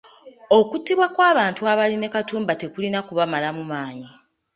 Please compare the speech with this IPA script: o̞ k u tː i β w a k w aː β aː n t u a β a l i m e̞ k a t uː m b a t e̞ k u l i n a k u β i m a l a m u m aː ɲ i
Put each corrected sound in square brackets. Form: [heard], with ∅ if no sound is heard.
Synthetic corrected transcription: o̞ k u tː i β w a k w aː β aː n t u a β a l i [n] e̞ k a t uː m b a t e̞ k u l i n a k u β [a] m a l a m u m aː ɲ i